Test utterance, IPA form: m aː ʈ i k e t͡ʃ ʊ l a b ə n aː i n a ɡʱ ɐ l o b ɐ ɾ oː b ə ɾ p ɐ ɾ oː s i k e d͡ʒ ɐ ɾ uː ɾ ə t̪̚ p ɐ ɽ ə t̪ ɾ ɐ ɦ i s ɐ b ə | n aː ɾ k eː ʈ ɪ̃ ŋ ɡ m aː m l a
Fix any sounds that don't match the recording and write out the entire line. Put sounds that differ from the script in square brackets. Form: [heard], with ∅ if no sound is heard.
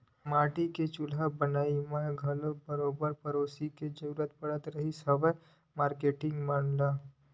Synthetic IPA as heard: m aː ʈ i k e t͡ʃ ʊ l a b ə n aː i [m] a ɡʱ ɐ l o b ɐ ɾ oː b ə ɾ p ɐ ɾ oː s i k e d͡ʒ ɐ ɾ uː ɾ ə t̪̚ p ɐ ɽ ə t̪ ɾ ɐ ɦ i s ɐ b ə | [m] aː ɾ k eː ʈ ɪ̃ ŋ ɡ m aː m l a

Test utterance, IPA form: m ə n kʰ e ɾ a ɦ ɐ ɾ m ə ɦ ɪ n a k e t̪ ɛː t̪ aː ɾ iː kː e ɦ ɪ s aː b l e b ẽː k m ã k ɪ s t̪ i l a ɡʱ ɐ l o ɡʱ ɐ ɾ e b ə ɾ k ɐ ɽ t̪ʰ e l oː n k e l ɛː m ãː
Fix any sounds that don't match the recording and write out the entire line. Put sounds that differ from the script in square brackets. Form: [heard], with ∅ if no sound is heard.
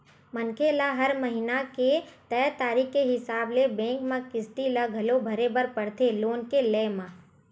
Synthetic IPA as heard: m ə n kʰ e [l] a ɦ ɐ ɾ m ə ɦ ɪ n a k e t̪ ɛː t̪ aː ɾ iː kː e ɦ ɪ s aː b l e b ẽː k m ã k ɪ s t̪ i l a ɡʱ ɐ l o [bʱ] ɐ ɾ e b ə ɾ [p] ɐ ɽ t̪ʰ e l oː n k e l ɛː m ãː

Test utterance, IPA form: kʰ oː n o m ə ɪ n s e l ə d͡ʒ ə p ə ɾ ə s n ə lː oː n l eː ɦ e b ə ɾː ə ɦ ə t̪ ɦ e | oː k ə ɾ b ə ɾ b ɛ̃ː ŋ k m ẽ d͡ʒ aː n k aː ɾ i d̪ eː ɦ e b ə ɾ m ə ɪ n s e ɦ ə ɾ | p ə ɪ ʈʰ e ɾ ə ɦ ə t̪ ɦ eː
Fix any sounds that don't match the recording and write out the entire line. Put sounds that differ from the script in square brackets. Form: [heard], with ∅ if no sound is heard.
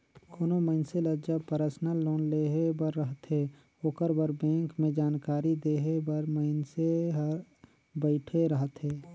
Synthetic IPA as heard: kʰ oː n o m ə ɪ n s e l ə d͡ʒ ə p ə ɾ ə s n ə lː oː n l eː ɦ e b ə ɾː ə ɦ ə t̪ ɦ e | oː k ə ɾ b ə ɾ b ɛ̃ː ŋ k m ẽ d͡ʒ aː n k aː ɾ i d̪ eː ɦ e b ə ɾ m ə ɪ n s e ɦ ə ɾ | [b] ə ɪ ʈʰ e ɾ ə ɦ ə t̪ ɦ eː

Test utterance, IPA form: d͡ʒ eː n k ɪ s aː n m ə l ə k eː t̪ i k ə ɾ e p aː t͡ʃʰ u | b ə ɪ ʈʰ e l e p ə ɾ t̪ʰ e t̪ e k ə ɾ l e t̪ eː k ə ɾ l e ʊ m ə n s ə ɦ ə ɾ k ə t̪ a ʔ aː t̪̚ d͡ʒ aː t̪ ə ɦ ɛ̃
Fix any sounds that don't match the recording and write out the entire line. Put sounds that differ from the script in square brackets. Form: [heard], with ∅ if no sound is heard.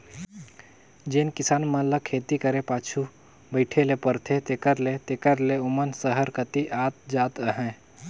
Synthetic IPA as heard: d͡ʒ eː n k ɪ s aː n m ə l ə [kʰ] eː t̪ i k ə ɾ e p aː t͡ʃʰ u | b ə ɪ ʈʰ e l e p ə ɾ t̪ʰ e t̪ e k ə ɾ l e t̪ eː k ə ɾ l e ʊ m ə n s ə ɦ ə ɾ k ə t̪ [i] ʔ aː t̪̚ d͡ʒ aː t̪ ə ɦ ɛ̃

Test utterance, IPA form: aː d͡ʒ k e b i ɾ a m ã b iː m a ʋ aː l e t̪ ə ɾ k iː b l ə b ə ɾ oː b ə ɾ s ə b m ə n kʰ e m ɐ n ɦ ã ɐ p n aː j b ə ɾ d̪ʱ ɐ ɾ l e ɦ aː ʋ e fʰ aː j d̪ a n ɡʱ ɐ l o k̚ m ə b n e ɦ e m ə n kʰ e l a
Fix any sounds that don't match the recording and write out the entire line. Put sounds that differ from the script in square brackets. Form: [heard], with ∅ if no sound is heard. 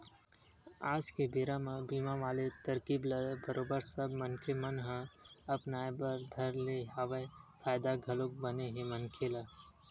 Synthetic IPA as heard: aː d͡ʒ k e b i ɾ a m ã b iː m a ʋ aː l e t̪ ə ɾ k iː b l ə b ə ɾ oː b ə ɾ s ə b m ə n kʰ e m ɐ n ɦ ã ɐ p n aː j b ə ɾ d̪ʱ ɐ ɾ l e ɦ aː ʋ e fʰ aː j d̪ a [∅] ɡʱ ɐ l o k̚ [b] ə [∅] n e ɦ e m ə n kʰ e l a

